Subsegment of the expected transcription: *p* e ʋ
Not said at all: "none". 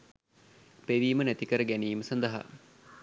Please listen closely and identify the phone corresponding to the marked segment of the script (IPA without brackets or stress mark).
p